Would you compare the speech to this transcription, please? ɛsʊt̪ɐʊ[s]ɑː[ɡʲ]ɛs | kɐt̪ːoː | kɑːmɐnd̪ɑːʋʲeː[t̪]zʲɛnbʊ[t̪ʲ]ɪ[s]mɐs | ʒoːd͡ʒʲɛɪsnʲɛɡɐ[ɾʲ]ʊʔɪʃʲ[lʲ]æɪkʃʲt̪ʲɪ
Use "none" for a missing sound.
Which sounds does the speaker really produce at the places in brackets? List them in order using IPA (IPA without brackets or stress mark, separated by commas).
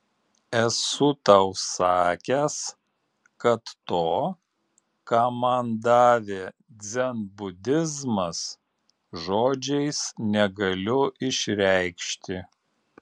s, kʲ, d̪, d̪ʲ, z, lʲ, ɾʲ